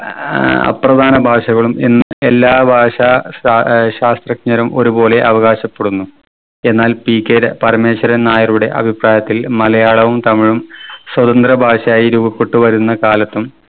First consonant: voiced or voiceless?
voiceless